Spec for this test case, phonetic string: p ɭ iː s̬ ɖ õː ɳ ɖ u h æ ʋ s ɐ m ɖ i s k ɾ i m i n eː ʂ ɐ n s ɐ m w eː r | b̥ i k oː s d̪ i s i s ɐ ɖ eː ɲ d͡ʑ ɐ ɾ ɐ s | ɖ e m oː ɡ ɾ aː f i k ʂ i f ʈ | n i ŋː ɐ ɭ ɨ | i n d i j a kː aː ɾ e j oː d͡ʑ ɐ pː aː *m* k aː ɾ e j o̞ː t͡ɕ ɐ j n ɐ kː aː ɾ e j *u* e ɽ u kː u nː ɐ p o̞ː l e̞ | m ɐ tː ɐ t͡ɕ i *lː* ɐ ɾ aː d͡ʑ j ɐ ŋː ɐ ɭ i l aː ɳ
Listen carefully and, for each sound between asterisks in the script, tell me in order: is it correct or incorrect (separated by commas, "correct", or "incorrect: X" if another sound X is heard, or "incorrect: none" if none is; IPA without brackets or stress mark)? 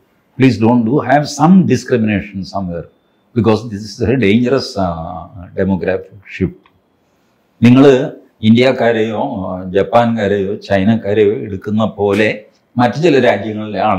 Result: incorrect: n, incorrect: o, incorrect: l